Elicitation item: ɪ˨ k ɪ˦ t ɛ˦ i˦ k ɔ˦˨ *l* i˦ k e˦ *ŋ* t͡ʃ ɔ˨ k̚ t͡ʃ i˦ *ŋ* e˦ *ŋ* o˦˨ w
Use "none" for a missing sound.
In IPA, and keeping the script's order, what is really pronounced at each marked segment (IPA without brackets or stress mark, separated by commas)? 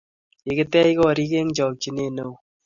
ɾ, ŋ, n, n